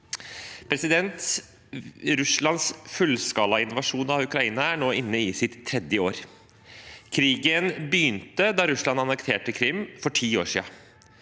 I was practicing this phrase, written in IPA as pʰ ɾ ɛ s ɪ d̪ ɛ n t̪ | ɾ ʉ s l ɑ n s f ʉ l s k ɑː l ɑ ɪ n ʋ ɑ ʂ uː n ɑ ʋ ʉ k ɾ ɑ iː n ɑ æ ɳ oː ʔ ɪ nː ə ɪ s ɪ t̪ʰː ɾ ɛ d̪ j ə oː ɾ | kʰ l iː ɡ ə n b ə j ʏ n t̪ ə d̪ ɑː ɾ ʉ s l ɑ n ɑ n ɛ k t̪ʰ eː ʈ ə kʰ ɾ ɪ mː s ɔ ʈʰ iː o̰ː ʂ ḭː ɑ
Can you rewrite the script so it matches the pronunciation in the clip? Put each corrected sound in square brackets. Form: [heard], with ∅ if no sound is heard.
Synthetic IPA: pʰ ɾ ɛ s ɪ d̪ ɛ n t̪ | ɾ ʉ s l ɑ n s f ʉ l s k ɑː l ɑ ɪ n ʋ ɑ ʂ uː n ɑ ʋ ʉ k ɾ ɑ iː n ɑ æ ɳ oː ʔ ɪ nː ə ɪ s ɪ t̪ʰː ɾ ɛ d̪ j ə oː ɾ | kʰ [ɾ] iː ɡ ə n b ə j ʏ n t̪ ə d̪ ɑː ɾ ʉ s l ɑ n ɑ n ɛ k t̪ʰ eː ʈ ə kʰ ɾ ɪ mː [f] ɔ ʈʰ iː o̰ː ʂ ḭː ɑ